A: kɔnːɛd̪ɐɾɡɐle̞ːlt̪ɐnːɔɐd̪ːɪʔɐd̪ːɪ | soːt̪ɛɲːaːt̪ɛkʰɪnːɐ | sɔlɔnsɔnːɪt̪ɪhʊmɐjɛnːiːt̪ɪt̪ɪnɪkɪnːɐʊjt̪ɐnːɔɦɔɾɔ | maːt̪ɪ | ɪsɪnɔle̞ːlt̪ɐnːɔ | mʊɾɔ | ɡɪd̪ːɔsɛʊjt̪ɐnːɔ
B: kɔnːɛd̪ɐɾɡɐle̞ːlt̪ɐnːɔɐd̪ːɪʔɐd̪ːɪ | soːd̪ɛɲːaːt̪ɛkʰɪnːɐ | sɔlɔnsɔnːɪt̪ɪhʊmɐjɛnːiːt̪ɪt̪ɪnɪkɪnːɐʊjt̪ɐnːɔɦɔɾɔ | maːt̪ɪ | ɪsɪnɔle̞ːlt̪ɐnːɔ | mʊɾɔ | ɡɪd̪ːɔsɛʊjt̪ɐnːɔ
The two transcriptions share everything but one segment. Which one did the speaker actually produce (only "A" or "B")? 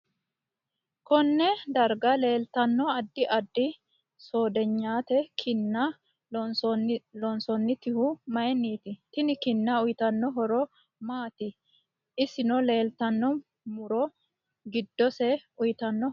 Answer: B